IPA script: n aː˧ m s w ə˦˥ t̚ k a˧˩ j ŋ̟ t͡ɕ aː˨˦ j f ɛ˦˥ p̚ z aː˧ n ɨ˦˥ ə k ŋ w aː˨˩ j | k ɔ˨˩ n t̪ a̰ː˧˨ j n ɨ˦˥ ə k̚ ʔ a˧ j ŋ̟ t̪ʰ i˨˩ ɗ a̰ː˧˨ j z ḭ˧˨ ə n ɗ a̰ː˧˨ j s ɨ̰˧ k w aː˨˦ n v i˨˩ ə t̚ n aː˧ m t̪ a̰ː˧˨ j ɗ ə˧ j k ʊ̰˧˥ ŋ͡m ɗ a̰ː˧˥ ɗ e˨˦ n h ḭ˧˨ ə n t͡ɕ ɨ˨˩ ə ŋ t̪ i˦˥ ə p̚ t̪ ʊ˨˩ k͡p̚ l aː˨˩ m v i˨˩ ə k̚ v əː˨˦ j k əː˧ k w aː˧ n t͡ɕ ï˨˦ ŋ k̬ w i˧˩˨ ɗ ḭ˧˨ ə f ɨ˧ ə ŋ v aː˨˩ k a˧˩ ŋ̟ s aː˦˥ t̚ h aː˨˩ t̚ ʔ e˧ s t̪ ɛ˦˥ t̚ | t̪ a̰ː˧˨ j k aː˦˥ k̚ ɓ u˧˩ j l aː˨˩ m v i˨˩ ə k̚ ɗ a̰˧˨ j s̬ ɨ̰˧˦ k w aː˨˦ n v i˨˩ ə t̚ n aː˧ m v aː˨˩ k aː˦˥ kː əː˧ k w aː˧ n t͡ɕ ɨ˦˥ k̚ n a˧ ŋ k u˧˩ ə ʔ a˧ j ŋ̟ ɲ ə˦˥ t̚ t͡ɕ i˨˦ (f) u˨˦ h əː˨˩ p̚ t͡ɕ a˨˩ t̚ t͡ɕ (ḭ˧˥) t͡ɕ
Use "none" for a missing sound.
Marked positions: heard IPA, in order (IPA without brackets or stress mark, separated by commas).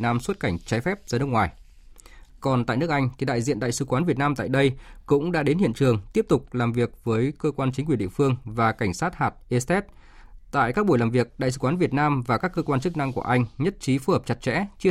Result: f, ɛ̰˧˥